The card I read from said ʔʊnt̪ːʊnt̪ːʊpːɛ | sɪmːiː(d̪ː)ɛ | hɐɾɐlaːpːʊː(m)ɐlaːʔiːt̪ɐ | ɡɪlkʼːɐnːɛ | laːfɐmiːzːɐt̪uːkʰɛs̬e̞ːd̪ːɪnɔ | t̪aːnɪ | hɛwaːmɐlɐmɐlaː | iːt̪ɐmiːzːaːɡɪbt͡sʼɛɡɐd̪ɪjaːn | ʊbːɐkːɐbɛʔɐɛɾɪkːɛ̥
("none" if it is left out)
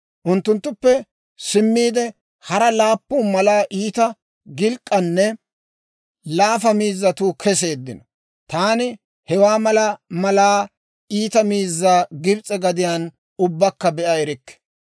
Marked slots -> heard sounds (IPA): d̪, m

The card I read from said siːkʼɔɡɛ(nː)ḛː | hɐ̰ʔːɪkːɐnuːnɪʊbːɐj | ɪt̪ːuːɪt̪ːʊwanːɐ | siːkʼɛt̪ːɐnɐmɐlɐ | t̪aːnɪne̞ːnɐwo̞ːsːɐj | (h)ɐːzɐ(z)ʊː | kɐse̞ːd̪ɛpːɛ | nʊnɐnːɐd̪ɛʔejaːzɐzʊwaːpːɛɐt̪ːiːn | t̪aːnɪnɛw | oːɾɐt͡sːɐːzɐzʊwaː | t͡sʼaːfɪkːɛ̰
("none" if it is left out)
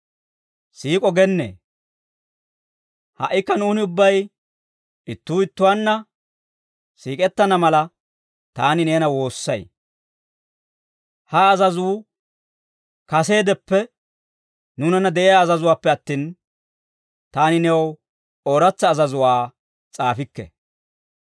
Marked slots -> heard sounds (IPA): nː, h, z

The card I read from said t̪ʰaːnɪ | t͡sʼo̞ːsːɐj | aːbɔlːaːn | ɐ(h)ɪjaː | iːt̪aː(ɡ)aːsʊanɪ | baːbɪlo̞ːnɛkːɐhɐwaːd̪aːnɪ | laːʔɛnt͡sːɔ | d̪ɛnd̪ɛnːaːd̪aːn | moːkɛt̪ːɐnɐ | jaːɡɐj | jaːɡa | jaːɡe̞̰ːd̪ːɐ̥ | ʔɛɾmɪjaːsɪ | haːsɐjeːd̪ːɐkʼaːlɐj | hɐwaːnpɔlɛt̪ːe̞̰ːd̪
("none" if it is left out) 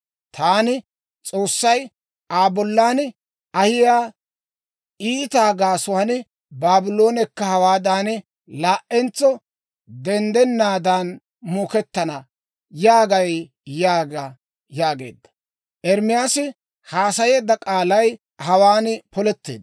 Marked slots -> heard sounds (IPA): h, ɡ

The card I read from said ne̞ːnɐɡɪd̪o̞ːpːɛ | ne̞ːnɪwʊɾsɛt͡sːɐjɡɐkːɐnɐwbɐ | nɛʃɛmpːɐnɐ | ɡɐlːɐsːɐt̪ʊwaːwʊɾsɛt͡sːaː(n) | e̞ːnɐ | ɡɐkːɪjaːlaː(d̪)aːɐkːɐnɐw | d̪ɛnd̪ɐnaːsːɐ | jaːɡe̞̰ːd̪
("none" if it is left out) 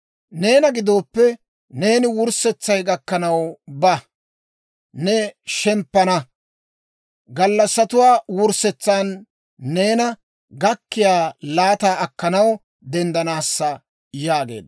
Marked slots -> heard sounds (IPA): nː, t̪

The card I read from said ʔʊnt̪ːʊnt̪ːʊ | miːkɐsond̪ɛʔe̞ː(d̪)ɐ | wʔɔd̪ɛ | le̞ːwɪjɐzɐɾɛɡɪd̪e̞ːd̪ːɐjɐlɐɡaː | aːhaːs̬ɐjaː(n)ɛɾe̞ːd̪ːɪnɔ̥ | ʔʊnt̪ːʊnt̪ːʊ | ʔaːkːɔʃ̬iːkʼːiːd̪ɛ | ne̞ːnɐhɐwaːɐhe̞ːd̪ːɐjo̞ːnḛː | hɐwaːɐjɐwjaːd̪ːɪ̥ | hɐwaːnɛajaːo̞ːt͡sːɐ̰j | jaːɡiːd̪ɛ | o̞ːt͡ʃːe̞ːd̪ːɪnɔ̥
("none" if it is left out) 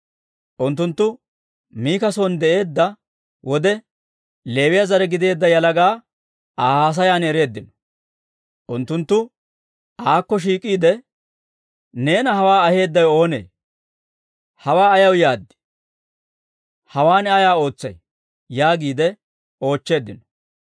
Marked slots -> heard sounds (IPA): d̪ː, n

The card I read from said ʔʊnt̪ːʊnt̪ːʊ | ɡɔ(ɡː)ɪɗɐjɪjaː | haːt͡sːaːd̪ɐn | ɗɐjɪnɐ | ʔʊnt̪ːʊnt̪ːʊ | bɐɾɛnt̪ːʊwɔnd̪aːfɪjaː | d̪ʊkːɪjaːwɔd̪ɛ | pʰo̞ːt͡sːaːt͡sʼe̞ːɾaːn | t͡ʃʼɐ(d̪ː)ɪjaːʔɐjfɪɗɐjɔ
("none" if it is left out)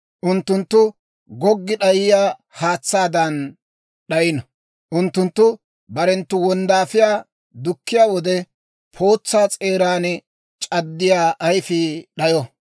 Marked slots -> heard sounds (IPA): ɡː, d̪ː

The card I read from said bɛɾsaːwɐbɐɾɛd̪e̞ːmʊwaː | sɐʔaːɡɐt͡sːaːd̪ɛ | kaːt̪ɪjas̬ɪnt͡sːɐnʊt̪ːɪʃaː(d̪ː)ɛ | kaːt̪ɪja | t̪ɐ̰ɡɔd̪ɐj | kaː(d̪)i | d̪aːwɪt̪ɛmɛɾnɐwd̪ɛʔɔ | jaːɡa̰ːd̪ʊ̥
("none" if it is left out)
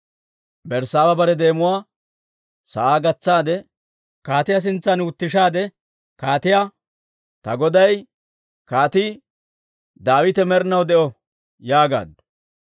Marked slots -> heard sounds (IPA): d̪, t̪

